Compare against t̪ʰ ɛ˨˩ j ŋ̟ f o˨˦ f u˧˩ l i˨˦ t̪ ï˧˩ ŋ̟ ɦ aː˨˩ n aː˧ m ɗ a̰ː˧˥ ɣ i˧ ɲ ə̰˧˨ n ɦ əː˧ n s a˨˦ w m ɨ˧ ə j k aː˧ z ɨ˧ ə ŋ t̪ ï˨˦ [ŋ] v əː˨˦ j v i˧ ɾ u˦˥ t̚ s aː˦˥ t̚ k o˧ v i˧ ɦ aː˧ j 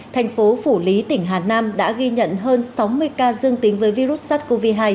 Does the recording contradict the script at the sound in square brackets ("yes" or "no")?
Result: no